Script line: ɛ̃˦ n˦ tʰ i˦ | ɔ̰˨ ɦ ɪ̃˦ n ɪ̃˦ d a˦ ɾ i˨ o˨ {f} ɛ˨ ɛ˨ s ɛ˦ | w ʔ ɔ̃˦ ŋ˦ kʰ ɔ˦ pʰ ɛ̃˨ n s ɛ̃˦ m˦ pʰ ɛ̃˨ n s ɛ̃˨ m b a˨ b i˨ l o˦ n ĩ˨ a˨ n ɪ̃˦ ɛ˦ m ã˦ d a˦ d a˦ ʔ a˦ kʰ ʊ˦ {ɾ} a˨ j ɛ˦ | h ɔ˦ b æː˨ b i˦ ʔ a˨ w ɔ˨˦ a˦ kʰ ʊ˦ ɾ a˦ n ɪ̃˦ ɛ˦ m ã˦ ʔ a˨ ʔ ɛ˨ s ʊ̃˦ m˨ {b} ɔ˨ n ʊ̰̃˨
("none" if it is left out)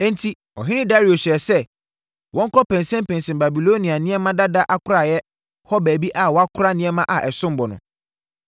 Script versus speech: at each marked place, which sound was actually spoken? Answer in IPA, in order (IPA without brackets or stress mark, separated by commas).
ɕ, ɾ, b